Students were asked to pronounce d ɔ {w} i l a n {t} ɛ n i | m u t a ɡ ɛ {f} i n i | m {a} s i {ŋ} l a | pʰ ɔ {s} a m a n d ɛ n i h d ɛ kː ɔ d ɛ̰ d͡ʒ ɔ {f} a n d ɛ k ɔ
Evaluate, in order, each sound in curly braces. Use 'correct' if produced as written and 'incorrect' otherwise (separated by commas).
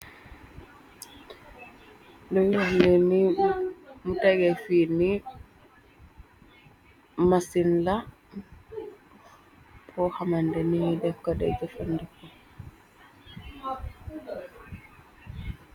correct, incorrect, correct, correct, incorrect, incorrect, correct